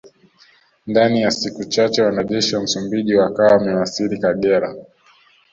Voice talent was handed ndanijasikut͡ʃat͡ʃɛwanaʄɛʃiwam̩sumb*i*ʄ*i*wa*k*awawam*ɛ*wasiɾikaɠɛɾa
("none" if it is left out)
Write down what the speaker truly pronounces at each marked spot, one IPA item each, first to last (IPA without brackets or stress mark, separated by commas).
i, i, k, ɛ